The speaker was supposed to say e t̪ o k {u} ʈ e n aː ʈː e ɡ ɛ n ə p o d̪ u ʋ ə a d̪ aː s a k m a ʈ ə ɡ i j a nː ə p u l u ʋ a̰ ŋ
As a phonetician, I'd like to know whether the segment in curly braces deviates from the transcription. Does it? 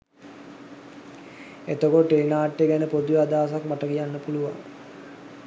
yes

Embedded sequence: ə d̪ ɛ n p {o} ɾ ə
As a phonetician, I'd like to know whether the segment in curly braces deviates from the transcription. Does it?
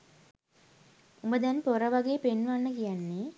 no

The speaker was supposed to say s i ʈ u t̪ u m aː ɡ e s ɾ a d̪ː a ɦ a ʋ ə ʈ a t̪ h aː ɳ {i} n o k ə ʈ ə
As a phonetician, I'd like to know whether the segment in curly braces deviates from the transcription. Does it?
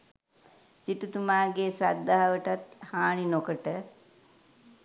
no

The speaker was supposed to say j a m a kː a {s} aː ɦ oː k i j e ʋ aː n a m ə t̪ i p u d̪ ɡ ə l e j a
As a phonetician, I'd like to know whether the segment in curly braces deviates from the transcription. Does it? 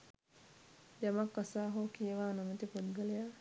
no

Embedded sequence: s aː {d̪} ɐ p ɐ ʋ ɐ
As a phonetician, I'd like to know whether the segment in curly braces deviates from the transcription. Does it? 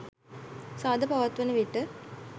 no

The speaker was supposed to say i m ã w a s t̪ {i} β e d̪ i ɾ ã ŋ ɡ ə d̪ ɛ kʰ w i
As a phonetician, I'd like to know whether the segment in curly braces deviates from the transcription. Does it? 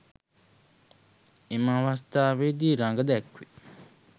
yes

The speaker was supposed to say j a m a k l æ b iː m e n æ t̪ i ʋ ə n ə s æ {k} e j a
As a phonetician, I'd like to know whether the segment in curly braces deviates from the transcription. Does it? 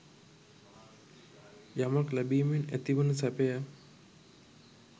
yes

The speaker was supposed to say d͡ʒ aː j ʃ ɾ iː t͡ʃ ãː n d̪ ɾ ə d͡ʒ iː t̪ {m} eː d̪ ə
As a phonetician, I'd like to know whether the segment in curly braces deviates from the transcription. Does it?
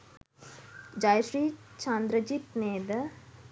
yes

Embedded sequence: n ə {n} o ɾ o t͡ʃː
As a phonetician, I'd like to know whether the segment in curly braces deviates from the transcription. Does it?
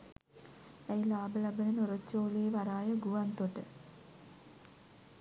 no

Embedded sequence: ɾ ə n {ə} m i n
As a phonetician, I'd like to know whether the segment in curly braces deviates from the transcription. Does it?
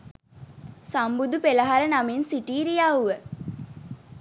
yes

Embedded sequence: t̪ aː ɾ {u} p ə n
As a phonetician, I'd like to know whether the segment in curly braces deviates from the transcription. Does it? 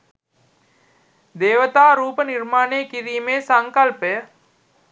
yes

